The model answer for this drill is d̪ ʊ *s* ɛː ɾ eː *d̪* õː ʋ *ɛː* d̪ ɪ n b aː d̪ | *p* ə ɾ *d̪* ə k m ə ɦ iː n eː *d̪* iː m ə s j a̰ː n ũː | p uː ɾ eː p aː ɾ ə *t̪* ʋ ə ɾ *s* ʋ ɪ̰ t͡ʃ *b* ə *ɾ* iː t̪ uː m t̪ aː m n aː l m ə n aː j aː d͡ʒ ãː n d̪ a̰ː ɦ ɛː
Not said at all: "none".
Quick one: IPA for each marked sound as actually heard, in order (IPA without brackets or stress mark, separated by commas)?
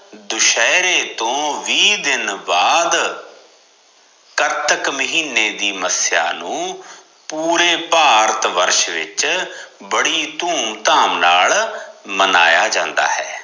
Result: ʃ, t̪, iː, k, t̪, d̪, t̪, ʃ, b, ɽ